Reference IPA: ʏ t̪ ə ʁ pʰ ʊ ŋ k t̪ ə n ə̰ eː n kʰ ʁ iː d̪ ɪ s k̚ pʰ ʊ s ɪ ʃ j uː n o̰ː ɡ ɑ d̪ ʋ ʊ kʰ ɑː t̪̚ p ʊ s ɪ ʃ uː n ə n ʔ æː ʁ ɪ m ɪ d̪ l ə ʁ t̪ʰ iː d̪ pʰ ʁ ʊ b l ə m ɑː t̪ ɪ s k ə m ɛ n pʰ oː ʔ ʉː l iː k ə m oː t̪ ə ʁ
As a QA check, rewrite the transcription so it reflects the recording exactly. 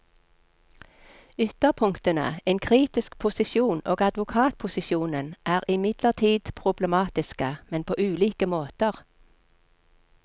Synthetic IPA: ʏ t̪ ə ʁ pʰ ʊ ŋ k t̪ ə n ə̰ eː n kʰ ʁ iː t̪ ɪ s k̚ pʰ ʊ s ɪ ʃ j uː n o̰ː ɡ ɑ d̪ ʋ ʊ kʰ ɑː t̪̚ pʰ ʊ s ɪ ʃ uː n ə n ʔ æː ʁ ɪ m ɪ d̪ l ə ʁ t̪ʰ iː d̪ pʰ ʁ ʊ b l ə m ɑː t̪ ɪ s k ə m ɛ n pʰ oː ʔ ʉː l iː k ə m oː t̪ ə ʁ